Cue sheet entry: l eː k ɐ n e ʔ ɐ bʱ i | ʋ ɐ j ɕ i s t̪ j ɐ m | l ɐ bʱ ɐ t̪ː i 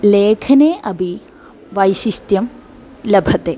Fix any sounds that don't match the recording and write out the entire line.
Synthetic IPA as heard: l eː kʰ ɐ n e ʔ ɐ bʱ i | ʋ ɐ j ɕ i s t̪ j ɐ m | l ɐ bʱ ɐ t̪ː e